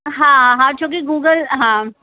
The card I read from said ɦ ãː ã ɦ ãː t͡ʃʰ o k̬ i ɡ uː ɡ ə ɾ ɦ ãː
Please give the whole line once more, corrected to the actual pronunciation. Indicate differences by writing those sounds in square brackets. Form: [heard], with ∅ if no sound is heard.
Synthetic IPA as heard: ɦ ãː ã ɦ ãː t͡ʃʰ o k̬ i ɡ uː ɡ ə [l] ɦ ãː